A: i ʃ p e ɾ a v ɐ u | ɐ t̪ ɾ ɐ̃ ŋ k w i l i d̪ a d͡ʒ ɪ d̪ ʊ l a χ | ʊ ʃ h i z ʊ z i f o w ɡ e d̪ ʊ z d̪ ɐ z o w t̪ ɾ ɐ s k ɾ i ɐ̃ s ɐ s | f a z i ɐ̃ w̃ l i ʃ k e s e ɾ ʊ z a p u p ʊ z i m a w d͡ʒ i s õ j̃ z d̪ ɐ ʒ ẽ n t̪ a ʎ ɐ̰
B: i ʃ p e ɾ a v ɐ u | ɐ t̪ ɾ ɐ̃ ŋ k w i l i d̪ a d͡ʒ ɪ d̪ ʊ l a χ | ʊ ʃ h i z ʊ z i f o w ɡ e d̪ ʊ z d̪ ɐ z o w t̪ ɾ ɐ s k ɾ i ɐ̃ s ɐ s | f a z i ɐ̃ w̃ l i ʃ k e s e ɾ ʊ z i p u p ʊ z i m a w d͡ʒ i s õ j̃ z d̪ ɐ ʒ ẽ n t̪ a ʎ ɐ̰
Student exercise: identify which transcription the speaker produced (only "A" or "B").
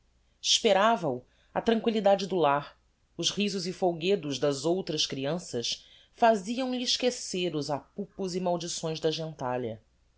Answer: A